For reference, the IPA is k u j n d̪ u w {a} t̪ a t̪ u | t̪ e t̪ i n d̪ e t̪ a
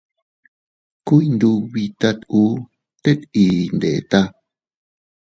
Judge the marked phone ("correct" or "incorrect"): incorrect